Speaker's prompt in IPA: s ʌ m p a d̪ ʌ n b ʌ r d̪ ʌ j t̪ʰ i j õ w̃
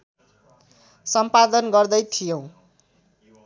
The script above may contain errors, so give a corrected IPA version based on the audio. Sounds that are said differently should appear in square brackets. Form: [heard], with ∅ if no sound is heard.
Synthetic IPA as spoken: s ʌ m p a d̪ ʌ n [ɡ] ʌ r d̪ ʌ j t̪ʰ i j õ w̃